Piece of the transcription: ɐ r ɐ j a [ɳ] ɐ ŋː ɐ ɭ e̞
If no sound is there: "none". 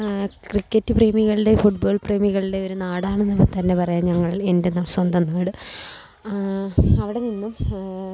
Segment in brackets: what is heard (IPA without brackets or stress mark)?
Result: ɲ